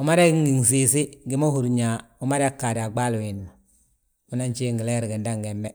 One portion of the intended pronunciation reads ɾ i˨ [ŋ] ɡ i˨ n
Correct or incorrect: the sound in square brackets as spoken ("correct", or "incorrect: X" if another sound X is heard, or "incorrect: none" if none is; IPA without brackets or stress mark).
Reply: incorrect: none